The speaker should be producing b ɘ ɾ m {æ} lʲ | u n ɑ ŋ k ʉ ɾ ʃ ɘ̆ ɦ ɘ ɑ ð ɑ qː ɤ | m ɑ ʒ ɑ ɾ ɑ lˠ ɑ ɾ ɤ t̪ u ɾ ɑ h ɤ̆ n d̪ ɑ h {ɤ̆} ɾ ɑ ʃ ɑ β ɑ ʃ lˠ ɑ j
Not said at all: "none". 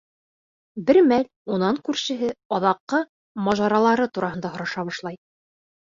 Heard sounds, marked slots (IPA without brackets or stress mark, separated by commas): æ, ŏ